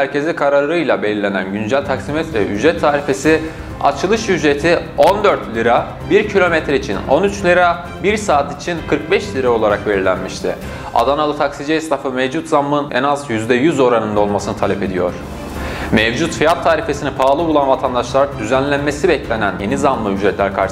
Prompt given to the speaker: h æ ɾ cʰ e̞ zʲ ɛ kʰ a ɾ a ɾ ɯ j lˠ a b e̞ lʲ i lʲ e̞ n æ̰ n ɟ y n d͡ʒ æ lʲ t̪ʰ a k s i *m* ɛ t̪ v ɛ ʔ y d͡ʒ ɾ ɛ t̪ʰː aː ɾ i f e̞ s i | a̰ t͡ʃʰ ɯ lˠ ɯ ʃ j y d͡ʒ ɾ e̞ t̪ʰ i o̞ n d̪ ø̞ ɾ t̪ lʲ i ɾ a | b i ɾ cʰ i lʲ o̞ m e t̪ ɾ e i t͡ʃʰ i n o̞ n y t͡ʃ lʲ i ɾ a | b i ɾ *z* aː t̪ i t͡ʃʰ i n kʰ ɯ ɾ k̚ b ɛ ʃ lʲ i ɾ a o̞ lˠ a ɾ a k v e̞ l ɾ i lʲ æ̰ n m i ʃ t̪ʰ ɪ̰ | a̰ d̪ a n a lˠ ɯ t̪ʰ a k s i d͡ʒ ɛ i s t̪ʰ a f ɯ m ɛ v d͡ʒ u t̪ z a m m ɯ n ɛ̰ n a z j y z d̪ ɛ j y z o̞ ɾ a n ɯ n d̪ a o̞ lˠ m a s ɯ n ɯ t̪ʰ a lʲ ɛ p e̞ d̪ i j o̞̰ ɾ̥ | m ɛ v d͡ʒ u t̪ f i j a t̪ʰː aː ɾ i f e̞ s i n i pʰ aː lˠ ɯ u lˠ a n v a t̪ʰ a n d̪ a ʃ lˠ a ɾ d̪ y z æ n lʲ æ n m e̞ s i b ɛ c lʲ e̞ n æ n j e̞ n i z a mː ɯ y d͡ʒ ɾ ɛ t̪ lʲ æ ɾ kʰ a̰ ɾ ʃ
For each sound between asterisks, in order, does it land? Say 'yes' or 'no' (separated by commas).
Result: yes, no